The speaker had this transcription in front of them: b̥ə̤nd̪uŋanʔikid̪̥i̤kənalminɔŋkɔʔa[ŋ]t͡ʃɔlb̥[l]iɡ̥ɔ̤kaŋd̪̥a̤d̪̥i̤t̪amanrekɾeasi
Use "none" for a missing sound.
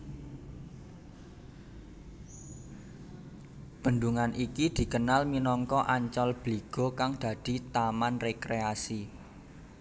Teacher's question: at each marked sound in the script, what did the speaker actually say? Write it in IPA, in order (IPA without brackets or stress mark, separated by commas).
ɲ, l